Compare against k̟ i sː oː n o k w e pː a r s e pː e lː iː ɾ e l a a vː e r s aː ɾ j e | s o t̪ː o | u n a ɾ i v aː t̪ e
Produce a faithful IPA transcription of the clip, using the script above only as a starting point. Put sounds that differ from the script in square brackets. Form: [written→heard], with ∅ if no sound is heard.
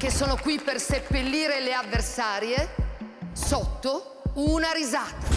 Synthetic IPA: k̟ [i→e] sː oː n o k w [e→i] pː [a→e] r s e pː e lː iː ɾ e l [a→e] a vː e r s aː ɾ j e | s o t̪ː o | u n a ɾ i [v→z] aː t̪ [e→a]